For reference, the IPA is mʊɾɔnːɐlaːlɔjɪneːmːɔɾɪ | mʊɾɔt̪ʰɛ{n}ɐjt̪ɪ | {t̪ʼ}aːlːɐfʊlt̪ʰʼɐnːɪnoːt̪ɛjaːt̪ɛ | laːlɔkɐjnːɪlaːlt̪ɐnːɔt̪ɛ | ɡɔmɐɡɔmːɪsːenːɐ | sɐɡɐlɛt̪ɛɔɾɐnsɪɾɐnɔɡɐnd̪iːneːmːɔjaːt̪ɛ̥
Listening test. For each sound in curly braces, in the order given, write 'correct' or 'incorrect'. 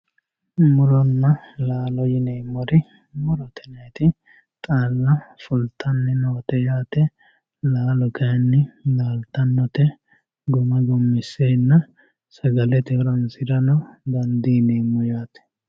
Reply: correct, correct

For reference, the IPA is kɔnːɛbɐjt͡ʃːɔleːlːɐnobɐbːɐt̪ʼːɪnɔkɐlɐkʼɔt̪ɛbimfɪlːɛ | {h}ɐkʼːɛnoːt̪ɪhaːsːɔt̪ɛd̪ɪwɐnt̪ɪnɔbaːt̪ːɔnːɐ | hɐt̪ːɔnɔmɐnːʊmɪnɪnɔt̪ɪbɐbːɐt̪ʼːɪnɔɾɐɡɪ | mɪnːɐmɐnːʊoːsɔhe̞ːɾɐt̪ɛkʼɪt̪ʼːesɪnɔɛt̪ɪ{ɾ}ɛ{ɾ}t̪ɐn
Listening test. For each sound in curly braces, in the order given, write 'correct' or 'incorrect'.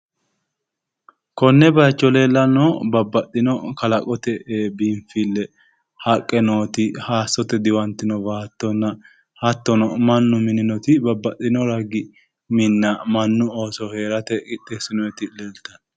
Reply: correct, incorrect, incorrect

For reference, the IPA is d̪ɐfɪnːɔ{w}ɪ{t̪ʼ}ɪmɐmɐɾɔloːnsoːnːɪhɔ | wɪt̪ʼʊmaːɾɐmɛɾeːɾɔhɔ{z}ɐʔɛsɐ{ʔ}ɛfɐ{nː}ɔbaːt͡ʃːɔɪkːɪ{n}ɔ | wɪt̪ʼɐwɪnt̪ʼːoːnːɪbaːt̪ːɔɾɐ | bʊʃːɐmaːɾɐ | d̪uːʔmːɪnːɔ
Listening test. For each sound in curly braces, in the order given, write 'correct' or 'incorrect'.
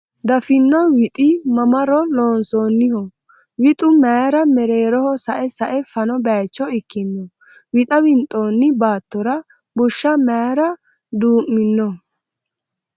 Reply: correct, correct, incorrect, correct, incorrect, incorrect

